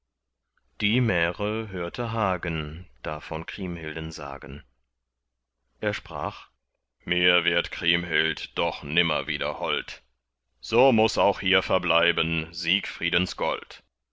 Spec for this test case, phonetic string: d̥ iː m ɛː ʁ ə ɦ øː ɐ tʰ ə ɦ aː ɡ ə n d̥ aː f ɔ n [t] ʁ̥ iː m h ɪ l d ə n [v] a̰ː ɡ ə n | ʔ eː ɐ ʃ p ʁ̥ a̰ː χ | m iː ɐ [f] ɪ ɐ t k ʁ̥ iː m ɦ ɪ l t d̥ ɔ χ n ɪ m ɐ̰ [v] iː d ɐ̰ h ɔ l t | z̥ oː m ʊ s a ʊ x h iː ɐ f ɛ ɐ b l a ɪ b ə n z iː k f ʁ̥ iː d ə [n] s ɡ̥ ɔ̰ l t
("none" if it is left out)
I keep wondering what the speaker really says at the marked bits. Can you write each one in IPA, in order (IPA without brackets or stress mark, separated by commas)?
k, z, v, v, n